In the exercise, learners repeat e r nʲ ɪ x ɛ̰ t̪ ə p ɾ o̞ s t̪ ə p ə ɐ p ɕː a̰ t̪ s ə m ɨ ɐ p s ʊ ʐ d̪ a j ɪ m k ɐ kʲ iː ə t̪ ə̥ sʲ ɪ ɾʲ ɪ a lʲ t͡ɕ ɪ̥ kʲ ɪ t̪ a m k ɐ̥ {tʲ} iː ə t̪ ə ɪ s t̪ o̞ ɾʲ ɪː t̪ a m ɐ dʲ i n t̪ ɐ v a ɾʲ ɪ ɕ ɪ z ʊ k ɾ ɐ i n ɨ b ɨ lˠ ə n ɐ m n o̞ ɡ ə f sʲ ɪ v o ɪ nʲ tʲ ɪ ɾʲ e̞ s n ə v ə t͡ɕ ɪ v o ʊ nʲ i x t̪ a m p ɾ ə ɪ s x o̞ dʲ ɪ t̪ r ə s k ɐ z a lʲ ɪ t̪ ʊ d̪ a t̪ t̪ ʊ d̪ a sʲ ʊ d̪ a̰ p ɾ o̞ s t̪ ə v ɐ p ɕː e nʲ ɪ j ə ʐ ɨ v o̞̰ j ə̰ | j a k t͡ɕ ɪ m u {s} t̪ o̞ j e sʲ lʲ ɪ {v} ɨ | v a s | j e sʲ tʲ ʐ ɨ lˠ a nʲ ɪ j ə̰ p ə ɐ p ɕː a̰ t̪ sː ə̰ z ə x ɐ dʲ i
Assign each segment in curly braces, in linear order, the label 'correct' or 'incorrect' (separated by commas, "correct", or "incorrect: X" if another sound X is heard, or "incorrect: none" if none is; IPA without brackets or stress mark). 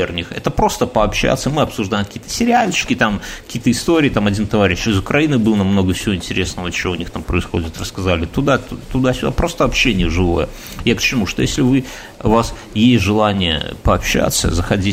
incorrect: kʲ, incorrect: ʂ, correct